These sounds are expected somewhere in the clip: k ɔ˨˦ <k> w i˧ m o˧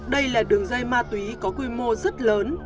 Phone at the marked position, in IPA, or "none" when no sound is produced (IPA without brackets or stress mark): k